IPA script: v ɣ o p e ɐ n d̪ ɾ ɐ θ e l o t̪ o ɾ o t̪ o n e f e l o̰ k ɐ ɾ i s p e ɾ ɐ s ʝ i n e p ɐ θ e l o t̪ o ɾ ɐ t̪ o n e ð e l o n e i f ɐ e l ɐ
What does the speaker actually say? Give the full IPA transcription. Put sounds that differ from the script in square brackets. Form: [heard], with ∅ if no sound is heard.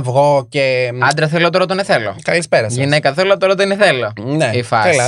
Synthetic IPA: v ɣ o [c] e ɐ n d̪ ɾ ɐ θ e l o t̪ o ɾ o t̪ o n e [θ] e l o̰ k ɐ [l] i s p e ɾ ɐ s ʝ i n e [k] ɐ θ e l o t̪ o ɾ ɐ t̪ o n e [θ] e l o n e i f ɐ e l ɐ